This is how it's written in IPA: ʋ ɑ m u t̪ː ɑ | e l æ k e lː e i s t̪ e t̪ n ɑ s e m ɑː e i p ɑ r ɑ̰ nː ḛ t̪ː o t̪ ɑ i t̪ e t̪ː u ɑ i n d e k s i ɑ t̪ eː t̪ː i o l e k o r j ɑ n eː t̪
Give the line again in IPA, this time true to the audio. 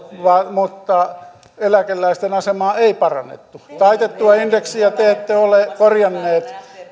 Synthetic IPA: ʋ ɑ m u t̪ː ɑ | e l æ k e lː æ i s t̪ e n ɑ s e m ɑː e i p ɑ r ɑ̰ nː ḛ t̪ː u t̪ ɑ i t̪ e t̪ː u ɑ i n d e k s i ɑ t̪ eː t̪ː e o l e k o r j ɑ nː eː t̪